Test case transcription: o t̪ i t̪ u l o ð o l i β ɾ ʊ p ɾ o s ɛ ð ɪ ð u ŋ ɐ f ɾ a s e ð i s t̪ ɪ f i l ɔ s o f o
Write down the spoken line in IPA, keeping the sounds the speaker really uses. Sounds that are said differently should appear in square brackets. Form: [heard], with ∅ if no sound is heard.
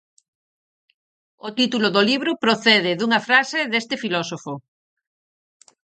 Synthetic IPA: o t̪ i t̪ u l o ð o l i β ɾ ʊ p ɾ o [θ] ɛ ð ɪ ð u ŋ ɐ f ɾ a s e ð [e] s t̪ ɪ f i l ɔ s o f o